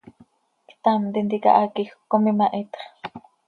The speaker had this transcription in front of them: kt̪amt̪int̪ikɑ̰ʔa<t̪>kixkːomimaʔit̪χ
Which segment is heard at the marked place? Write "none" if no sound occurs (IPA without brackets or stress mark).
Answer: none